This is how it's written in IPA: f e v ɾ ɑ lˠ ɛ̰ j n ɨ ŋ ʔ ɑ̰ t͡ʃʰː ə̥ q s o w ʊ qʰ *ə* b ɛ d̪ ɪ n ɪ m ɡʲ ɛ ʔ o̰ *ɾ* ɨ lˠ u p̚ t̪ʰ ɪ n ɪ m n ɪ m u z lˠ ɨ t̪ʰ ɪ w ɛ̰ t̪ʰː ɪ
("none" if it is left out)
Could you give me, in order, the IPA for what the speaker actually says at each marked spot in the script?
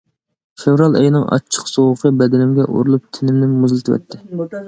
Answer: ə, ɾ

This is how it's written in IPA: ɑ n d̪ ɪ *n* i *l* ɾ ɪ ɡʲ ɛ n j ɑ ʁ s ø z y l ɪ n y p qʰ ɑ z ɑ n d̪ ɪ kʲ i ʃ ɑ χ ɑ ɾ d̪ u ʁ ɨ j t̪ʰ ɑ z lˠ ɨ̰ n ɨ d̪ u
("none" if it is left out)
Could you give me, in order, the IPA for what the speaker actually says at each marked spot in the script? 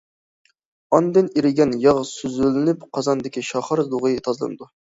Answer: n, none

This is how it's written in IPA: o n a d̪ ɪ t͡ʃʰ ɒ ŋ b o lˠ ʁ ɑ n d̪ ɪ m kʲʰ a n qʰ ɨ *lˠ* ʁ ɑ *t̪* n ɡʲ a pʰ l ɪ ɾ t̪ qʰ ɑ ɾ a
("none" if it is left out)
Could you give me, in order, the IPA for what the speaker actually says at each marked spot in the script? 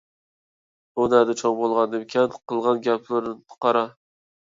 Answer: lˠ, none

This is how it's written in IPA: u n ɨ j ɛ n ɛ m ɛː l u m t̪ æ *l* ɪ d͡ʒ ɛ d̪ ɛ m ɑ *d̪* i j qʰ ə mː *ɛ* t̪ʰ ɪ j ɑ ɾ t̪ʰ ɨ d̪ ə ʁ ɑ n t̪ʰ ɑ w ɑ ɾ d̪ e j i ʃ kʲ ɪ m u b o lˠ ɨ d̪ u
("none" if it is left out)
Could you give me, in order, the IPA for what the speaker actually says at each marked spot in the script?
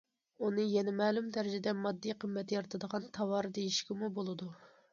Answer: ɾ, d̪ː, ɛ

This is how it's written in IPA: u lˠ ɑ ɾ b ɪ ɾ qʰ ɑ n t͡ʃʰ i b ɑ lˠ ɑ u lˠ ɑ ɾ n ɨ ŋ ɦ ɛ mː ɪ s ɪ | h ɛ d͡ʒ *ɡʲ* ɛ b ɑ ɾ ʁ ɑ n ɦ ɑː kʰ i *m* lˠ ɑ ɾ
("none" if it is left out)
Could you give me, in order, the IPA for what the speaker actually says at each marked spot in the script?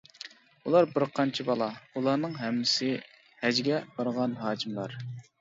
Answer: ɡʲ, m

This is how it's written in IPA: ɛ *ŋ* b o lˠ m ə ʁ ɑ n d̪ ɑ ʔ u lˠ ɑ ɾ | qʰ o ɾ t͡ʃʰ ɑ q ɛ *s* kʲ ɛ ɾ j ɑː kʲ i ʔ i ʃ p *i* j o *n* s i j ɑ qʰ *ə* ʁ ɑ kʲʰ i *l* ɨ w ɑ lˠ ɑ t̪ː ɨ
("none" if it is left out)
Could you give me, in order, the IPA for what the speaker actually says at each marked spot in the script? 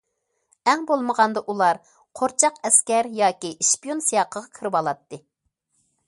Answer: ŋ, s, i, n, ə, ɾ

